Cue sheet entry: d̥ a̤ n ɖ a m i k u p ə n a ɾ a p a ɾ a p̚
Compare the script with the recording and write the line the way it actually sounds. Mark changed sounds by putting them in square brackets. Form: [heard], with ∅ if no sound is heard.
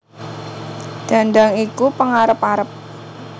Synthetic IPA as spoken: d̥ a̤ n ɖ a [ŋ] i k u p ə [ŋ] a ɾ [ə] p a ɾ [ə] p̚